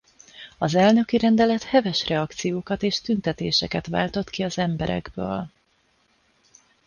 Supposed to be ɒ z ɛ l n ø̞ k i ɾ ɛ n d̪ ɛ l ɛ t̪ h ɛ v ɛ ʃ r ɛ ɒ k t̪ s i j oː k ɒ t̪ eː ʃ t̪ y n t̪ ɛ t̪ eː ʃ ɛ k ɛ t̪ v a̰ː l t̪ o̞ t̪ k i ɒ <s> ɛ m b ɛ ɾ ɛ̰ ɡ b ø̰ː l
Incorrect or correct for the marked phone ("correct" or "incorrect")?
incorrect